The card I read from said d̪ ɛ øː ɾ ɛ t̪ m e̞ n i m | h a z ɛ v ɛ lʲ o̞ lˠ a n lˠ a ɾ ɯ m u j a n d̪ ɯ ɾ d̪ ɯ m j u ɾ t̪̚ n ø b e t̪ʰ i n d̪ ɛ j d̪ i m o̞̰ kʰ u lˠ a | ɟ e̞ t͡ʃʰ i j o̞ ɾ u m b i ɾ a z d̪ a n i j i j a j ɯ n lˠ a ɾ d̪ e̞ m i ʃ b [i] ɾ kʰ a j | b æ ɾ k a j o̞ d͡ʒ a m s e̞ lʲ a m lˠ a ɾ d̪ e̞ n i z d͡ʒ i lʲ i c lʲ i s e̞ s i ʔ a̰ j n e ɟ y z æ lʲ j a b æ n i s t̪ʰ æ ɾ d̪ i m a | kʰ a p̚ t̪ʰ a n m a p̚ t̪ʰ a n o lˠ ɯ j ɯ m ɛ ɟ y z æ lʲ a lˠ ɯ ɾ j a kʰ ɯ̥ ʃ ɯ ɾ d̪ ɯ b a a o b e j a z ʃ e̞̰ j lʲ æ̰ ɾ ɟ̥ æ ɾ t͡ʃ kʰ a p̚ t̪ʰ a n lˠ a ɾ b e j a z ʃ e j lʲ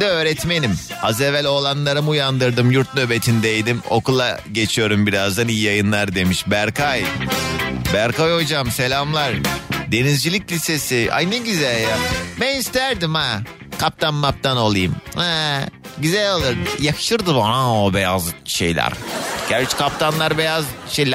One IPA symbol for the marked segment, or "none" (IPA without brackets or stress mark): æ